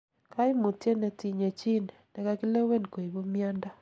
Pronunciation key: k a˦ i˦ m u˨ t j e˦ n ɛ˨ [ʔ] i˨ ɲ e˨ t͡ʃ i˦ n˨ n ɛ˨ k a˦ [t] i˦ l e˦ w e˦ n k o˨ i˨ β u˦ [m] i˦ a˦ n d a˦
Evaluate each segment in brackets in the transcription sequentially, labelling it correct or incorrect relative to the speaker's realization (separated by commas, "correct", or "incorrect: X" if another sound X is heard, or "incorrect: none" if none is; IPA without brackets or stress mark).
incorrect: t, incorrect: k, correct